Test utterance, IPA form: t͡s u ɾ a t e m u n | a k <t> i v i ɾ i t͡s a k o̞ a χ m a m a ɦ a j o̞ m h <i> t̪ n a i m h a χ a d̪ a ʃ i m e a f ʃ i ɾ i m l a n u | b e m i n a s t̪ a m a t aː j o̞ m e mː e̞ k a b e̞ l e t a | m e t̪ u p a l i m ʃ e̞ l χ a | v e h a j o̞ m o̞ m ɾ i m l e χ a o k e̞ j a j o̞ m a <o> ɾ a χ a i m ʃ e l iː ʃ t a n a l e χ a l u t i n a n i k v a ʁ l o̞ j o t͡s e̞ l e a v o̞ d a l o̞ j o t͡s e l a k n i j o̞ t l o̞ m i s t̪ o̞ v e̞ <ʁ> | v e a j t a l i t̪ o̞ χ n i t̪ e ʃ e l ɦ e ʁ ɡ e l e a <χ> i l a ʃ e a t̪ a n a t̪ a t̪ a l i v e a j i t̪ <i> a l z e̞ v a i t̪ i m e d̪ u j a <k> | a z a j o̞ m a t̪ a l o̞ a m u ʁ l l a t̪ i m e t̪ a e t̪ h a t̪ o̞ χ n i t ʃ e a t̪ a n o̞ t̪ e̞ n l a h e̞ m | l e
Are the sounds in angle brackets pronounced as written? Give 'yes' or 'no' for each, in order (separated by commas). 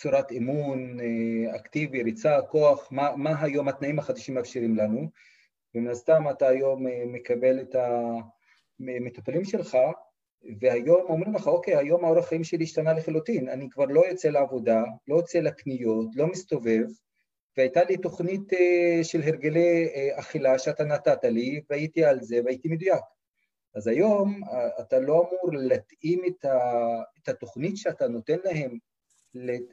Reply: yes, no, yes, no, yes, yes, yes